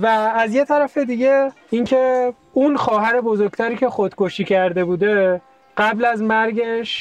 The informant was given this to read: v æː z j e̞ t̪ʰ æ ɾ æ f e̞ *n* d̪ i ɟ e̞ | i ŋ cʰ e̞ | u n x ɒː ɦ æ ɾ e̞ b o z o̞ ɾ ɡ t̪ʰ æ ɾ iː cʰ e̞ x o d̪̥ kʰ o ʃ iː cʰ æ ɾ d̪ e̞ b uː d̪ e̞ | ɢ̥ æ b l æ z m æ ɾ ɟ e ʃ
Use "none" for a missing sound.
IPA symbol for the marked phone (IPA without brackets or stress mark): none